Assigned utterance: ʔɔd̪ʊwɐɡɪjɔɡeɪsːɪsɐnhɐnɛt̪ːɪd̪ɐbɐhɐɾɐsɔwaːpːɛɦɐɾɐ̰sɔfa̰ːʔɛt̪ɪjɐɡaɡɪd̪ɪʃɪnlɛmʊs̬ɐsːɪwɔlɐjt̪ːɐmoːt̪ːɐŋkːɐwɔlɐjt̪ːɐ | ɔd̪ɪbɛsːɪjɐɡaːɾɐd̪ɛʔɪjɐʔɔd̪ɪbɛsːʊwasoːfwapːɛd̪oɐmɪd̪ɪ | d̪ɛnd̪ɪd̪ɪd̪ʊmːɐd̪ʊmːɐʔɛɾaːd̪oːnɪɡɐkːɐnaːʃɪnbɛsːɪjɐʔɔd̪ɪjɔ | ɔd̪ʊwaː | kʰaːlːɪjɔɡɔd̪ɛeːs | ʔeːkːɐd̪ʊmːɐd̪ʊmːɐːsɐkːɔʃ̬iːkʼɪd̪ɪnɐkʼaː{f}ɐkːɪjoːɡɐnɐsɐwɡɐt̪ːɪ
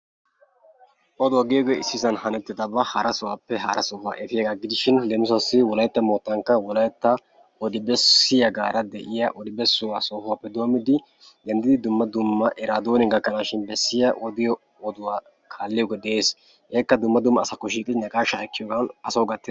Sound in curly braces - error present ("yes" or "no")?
yes